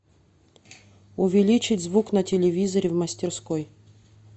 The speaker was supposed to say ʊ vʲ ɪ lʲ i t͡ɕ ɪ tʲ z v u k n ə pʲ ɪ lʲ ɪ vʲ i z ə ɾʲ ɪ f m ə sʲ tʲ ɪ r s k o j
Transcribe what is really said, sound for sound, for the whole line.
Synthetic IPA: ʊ vʲ ɪ lʲ i t͡ɕ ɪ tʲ z v u k n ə tʲ ɪ lʲ ɪ vʲ i z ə ɾʲ ɪ v m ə sʲ tʲ ɪ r s k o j